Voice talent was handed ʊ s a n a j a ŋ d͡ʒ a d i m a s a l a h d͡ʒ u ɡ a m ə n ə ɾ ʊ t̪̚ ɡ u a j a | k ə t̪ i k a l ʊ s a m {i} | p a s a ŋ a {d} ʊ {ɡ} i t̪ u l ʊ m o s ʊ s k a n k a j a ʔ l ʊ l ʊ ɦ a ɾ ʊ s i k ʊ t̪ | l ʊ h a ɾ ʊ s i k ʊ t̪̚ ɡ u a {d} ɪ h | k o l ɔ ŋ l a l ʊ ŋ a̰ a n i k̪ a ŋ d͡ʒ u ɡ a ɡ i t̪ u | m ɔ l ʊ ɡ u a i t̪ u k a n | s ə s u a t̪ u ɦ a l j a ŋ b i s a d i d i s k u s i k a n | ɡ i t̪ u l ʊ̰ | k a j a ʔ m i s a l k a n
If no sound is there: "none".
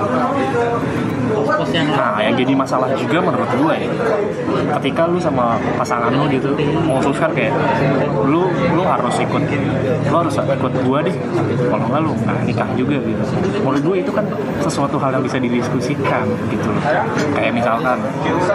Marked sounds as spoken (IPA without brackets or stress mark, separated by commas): a, n, ɡ, d